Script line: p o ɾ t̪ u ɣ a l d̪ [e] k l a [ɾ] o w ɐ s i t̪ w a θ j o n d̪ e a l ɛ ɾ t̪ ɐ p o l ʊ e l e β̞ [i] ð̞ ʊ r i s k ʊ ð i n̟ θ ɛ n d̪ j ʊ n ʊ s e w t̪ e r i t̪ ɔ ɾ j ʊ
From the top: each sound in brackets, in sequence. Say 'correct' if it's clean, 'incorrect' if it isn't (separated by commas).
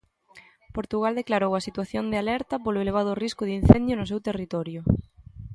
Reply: correct, correct, incorrect